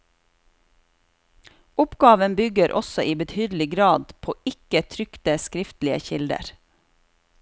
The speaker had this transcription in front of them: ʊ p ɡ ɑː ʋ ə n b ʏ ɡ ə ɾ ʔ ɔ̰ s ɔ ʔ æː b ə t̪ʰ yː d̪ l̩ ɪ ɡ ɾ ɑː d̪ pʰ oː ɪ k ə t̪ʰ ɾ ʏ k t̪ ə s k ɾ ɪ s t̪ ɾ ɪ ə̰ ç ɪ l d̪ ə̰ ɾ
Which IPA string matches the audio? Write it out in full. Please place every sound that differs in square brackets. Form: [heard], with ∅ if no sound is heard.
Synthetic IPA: ʊ p ɡ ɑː ʋ ə n b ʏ ɡ ə ɾ ʔ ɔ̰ s ɔ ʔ [iː] b ə t̪ʰ yː d̪ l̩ ɪ ɡ ɾ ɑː d̪ pʰ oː ɪ k ə t̪ʰ ɾ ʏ k t̪ ə s k ɾ ɪ [f] t̪ [l] ɪ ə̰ ç ɪ l d̪ ə̰ ɾ